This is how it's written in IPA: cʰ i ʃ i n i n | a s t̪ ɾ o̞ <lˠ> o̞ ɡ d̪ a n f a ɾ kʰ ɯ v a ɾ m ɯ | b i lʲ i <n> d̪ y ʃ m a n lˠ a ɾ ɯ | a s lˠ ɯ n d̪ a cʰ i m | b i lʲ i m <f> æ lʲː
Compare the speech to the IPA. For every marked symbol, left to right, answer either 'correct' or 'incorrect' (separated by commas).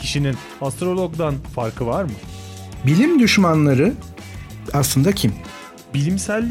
correct, incorrect, incorrect